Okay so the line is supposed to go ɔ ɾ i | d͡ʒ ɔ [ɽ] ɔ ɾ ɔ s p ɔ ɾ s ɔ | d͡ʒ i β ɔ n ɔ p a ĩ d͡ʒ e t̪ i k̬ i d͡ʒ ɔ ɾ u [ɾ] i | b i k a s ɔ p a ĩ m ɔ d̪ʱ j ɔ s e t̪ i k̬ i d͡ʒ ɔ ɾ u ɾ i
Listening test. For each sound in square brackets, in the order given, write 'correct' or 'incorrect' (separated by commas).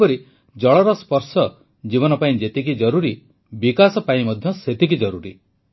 incorrect, correct